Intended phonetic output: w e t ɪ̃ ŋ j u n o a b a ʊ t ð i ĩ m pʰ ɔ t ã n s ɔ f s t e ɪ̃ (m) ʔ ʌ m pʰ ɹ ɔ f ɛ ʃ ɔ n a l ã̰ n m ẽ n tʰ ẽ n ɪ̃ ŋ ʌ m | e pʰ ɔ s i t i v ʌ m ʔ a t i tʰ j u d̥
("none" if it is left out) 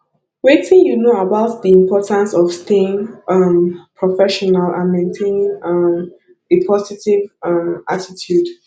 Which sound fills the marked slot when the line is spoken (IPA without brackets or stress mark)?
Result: ŋ